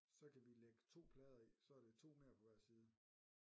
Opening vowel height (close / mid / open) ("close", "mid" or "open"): open